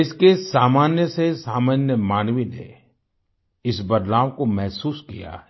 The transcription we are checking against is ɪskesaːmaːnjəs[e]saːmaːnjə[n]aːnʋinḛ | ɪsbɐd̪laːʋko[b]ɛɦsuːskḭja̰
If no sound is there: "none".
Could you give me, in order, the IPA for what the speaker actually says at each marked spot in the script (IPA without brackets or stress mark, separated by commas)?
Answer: e, m, m